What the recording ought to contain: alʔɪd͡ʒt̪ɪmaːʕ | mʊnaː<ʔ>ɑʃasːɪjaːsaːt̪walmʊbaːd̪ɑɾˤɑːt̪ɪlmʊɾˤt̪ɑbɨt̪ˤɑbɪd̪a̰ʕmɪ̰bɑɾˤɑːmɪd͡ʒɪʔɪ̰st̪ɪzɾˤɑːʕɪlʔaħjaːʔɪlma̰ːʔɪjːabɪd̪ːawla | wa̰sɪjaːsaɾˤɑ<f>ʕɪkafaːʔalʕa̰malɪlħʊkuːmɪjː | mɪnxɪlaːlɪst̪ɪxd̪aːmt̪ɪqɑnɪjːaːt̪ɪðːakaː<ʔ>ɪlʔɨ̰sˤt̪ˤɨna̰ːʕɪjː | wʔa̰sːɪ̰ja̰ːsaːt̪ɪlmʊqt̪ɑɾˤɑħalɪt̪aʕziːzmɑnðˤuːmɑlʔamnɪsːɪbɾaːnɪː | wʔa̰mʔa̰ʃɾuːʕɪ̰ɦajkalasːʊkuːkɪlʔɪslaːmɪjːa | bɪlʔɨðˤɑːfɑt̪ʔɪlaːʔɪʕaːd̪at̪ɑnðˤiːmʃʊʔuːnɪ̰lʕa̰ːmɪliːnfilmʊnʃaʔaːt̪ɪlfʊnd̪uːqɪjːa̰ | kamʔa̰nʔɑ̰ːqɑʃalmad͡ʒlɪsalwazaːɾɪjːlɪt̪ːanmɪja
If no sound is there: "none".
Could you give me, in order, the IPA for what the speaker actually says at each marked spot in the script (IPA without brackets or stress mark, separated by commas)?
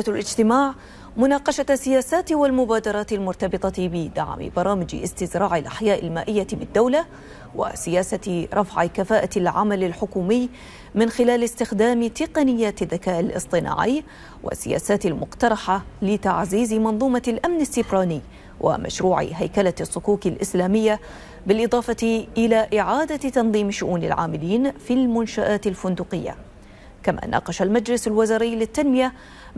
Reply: q, f, ʔ